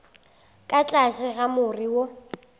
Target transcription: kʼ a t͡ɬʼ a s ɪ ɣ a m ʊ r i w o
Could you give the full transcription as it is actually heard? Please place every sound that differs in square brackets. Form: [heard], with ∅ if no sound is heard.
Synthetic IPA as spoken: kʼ a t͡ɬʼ a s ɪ ɣ a m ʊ r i w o

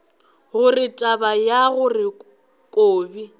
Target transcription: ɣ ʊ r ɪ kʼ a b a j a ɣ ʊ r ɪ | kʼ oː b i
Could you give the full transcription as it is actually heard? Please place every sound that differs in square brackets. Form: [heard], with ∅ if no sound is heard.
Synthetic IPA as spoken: ɣ ʊ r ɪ [tʼ] a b a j a ɣ ʊ r ɪ | kʼ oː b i

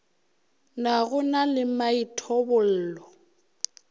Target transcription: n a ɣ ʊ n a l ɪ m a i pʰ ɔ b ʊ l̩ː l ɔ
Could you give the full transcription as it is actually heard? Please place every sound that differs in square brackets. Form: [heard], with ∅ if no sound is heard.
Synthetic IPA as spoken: n a ɣ ʊ n a l ɪ m a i [tʰ] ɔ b ʊ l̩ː l ɔ

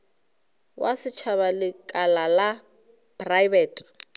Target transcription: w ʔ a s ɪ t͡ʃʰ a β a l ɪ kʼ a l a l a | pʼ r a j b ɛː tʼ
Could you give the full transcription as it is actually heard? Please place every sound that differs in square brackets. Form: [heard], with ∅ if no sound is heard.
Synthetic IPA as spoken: w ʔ a s ɪ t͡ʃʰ a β a l ɪ kʼ a l a l a | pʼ r a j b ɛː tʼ

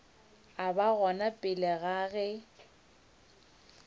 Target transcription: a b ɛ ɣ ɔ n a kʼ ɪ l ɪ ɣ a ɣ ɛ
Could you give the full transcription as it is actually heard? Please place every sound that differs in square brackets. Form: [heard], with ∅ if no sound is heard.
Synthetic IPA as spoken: a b [a] ɣ ɔ n a [pʼ] ɪ l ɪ ɣ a ɣ ɛ

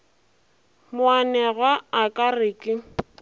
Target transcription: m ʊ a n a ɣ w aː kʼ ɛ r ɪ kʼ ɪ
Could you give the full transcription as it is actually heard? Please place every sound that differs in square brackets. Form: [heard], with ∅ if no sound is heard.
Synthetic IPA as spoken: m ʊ a n [ɛ] ɣ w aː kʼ [a] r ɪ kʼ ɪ

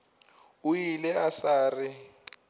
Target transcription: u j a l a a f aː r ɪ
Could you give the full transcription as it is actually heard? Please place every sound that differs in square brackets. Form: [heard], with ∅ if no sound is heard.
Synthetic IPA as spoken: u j [i] l [ɛ] a [s] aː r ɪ

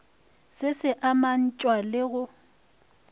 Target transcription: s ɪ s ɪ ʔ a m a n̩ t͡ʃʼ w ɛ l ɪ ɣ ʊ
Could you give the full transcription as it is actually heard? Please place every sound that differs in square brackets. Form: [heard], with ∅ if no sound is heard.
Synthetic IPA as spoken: s ɪ s ɪ ʔ a m a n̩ t͡ʃʼ w [a] l ɪ ɣ ʊ

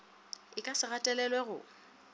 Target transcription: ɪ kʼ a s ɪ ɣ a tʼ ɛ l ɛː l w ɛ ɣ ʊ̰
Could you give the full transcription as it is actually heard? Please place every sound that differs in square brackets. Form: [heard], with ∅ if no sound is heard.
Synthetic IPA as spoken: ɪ kʼ a s ɪ ɣ a tʼ ɛ l [ɛ] l w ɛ ɣ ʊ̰

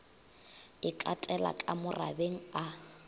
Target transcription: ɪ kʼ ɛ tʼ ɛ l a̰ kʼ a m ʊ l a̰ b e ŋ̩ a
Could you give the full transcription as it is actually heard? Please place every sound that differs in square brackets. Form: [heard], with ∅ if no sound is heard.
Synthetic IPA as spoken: ɪ kʼ [a] tʼ ɛ l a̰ kʼ a m ʊ [r] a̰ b e ŋ̩ a

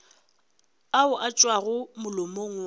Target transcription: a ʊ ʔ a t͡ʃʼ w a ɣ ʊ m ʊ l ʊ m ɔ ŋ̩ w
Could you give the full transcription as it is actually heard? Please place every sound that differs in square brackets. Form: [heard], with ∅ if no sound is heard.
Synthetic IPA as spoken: a ʊ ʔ a t͡ʃʼ w a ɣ ʊ m ʊ l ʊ m [o] ŋ̩ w

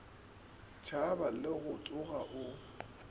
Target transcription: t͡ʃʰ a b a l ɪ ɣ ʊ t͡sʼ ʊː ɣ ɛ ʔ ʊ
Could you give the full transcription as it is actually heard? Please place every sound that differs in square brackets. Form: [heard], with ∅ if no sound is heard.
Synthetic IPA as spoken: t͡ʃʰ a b a l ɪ ɣ ʊ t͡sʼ [ʊ] ɣ [a] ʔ ʊ

